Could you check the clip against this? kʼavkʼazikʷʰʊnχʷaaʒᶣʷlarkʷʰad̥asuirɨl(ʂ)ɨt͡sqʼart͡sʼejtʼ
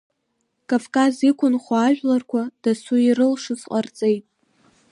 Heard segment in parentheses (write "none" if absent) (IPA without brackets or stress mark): ʂ